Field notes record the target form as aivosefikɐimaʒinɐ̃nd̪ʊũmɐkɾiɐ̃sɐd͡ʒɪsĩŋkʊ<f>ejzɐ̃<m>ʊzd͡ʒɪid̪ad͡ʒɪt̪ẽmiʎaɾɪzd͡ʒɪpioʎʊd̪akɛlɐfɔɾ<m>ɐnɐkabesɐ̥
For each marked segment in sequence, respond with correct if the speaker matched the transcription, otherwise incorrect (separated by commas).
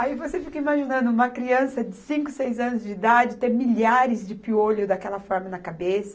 incorrect, incorrect, correct